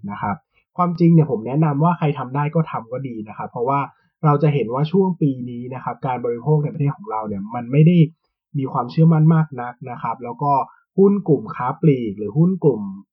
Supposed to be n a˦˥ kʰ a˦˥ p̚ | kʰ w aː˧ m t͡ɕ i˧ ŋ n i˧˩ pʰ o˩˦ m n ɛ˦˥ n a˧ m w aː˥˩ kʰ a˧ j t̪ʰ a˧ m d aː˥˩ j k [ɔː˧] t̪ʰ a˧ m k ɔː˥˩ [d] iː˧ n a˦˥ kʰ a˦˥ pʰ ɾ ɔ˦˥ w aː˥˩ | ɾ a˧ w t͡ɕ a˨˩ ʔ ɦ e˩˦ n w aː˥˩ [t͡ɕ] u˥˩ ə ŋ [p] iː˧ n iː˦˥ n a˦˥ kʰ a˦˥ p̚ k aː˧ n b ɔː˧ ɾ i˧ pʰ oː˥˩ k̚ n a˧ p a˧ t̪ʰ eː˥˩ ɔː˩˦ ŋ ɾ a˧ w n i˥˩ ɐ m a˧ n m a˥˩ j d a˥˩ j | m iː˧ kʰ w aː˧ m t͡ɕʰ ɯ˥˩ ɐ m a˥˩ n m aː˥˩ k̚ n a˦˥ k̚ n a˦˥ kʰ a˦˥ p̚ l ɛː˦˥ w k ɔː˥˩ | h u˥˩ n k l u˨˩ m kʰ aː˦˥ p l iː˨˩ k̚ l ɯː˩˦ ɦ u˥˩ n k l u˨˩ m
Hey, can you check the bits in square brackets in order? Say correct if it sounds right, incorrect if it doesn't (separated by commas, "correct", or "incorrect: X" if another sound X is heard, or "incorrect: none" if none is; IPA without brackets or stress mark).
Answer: incorrect: ɔː˥˩, correct, incorrect: t͡ɕʰ, correct